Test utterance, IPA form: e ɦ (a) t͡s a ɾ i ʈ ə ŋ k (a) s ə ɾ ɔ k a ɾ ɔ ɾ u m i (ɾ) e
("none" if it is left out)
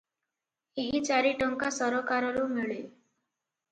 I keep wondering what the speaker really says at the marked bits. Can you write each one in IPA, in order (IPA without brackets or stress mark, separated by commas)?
i, a, ɭ